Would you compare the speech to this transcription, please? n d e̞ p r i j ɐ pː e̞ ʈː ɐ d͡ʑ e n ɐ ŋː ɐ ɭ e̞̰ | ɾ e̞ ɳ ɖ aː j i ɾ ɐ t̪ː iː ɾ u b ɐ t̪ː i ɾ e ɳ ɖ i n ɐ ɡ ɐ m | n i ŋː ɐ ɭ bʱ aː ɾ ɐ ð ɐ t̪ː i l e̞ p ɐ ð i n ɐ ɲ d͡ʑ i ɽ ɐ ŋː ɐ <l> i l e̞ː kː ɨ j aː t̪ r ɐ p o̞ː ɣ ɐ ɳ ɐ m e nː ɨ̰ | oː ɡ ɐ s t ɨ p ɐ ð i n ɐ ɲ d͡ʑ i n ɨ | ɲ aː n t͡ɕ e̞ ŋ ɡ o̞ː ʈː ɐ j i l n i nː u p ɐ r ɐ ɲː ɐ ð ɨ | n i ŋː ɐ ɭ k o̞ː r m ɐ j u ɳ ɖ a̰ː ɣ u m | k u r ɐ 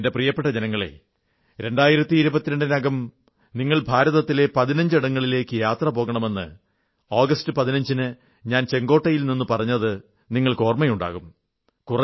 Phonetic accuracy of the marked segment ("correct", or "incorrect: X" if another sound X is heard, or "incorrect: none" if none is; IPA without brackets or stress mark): incorrect: ɭ